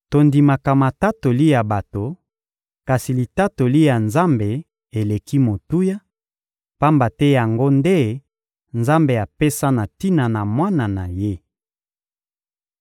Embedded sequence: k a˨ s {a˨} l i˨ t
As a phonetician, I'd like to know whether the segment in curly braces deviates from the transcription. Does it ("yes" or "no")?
yes